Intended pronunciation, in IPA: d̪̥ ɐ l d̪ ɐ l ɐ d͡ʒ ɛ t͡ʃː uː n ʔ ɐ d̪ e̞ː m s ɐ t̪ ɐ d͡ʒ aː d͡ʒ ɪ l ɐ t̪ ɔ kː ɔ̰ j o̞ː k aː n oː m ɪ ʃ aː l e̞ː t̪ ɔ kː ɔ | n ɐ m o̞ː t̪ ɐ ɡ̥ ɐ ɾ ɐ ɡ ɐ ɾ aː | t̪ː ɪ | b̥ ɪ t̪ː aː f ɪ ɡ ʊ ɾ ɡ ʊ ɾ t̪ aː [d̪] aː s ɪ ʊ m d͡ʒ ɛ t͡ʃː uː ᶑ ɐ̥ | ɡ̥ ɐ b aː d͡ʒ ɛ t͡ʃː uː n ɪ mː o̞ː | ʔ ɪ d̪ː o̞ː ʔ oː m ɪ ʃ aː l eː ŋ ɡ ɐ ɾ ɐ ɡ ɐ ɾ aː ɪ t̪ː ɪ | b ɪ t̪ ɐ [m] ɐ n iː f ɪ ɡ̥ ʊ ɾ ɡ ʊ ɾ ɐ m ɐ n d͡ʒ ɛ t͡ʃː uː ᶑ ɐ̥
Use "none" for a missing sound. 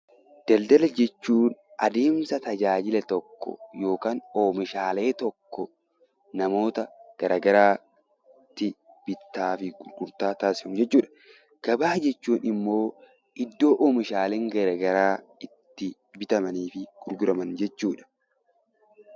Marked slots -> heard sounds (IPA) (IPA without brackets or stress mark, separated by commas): t̪, m